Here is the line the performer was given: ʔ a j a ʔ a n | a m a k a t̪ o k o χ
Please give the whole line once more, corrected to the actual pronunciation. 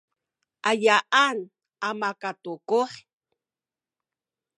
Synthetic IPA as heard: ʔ a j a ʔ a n | a m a k a t̪ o k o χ